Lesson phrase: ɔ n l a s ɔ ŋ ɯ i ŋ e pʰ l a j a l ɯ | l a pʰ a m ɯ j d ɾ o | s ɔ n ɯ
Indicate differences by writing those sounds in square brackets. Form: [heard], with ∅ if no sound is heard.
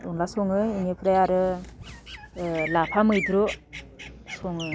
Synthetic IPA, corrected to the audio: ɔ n l a s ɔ ŋ ɯ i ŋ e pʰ [ɾ] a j a [ɾ] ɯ | l a pʰ a m ɯ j d ɾ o | s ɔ [ŋ] ɯ

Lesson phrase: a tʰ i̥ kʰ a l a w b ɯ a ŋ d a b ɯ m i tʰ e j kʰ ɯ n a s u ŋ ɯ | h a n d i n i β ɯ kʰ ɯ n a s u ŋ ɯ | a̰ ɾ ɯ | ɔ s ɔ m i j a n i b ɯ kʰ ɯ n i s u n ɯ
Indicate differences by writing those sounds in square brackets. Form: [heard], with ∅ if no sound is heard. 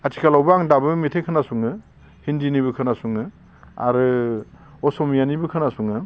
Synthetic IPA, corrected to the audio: a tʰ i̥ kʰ a l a w b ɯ a ŋ d a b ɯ m i tʰ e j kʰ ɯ n a s u ŋ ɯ | h [i] n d i n i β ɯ kʰ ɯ n a s u ŋ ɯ | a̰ ɾ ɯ | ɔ s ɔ m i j a n i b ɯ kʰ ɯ n [a] s u [ŋ] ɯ

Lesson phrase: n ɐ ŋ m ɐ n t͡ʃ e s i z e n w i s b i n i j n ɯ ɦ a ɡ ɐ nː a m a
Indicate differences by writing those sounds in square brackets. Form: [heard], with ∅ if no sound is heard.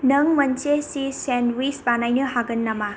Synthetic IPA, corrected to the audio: n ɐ ŋ m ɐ n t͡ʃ e s i [s] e n w i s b [a] n [a] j n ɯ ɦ a ɡ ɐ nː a m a

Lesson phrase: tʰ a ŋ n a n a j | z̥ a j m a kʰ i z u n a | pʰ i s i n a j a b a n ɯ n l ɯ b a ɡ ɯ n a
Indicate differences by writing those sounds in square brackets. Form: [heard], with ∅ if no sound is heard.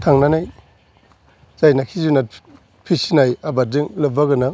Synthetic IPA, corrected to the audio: tʰ a ŋ n a n a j | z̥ a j [n] a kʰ i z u n a | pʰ i s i n a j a b a [d] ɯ [ŋ] l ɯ b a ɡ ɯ n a

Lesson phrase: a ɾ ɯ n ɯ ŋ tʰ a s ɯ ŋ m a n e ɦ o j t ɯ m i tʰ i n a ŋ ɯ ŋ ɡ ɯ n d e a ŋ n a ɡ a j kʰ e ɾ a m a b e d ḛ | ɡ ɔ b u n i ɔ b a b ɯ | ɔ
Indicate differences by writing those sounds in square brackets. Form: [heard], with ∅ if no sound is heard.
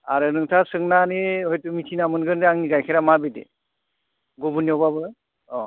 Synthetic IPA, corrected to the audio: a ɾ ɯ n ɯ ŋ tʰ a s ɯ ŋ [n] a n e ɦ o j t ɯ m i tʰ i n a [m] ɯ [n] ɡ ɯ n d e a ŋ n [i] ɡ a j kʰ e ɾ a m a b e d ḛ | ɡ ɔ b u n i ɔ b a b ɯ | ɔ

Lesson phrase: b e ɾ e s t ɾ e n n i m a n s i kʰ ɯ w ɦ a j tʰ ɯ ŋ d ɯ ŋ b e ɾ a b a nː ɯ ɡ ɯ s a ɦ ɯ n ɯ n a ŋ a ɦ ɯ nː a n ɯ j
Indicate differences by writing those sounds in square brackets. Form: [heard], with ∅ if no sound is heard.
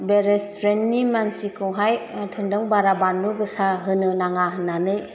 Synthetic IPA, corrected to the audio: b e ɾ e s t ɾ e n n i m a n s i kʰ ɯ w ɦ a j tʰ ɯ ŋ d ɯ ŋ b [a] ɾ a b a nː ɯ ɡ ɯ s a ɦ ɯ n ɯ n a ŋ a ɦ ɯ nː a n ɯ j

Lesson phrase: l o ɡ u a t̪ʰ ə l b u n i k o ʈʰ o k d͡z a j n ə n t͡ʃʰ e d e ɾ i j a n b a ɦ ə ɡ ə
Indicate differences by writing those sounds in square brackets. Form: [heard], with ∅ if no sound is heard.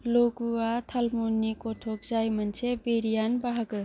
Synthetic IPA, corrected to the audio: l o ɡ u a t̪ʰ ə l [m] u n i k o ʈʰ o k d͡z a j [m] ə n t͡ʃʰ e [b] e ɾ i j a n b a ɦ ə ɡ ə

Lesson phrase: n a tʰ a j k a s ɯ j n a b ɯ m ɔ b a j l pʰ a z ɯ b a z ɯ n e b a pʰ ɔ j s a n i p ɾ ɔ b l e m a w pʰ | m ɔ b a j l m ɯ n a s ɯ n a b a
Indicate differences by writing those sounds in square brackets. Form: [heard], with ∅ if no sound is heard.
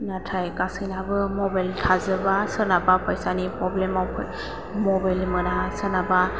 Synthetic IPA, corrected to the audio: n a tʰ a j k a s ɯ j n a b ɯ m ɔ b a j l [tʰ] a z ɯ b a [s] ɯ n [a] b a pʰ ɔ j s a n i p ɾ ɔ b l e m a w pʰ | m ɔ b a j l m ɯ n a s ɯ n a b a

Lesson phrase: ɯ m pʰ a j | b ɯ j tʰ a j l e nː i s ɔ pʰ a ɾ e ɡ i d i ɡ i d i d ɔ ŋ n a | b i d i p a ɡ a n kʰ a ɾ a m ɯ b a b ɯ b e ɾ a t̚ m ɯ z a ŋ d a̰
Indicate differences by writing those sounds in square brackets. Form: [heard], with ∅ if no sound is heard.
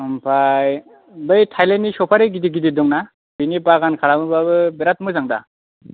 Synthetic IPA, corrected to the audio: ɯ m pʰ a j | b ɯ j tʰ a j l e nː i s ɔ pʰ a ɾ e ɡ i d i ɡ i d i d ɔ ŋ n a | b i [n] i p a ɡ a n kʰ a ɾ a m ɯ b a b ɯ b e ɾ a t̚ m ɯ z a ŋ d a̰

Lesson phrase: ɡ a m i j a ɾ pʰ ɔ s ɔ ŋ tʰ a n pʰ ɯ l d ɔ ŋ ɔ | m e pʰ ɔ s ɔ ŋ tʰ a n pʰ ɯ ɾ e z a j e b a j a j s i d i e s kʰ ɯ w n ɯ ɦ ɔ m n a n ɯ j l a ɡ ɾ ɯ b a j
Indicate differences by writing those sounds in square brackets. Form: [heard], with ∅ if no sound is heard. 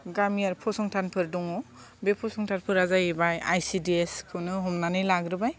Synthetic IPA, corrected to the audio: ɡ a m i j a ɾ pʰ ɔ s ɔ ŋ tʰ a n pʰ ɯ [ɾ] d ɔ ŋ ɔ | [b] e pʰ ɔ s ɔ ŋ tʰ a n pʰ ɯ ɾ [a] z a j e b a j a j s i d i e s kʰ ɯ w n ɯ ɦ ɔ m n a n ɯ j l a ɡ ɾ ɯ b a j

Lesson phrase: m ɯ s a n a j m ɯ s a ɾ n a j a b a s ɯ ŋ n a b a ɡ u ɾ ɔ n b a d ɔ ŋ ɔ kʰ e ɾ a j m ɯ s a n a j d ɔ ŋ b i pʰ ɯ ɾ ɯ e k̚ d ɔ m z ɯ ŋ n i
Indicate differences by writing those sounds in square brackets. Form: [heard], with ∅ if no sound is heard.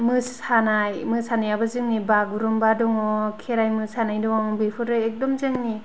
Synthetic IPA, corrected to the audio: m ɯ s a n a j m ɯ s a [∅] n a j a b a [z] ɯ ŋ n [i] b a ɡ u ɾ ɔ [m] b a d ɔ ŋ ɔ kʰ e ɾ a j m ɯ s a n a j d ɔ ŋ b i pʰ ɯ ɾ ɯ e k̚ d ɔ m z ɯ ŋ n i

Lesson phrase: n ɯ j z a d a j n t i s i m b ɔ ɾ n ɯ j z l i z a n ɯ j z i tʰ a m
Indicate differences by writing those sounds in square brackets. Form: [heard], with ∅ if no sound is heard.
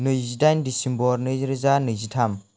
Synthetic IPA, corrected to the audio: n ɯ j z [i] d a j n [d] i s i m b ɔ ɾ n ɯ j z [ɾ] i z a n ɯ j z i tʰ a m

